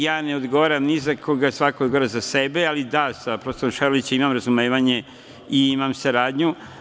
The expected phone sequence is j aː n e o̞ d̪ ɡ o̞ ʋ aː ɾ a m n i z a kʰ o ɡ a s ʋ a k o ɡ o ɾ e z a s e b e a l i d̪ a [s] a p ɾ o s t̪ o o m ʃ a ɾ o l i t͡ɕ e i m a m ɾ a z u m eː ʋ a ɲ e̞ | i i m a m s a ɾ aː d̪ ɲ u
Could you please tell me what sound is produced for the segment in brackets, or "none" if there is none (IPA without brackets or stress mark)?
s